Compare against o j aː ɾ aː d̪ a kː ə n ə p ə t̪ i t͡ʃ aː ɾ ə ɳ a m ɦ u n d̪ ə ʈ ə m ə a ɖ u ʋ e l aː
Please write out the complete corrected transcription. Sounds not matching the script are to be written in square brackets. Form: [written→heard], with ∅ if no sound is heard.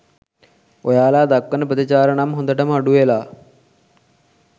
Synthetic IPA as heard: o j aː [ɾ→l] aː d̪ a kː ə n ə p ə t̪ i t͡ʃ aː ɾ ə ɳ a m ɦ [u→o] n d̪ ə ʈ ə m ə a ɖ u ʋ e l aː